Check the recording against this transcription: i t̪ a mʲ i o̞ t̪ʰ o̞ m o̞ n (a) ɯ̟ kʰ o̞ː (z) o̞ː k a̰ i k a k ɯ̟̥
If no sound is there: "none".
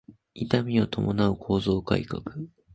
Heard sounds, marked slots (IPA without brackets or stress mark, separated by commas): a, z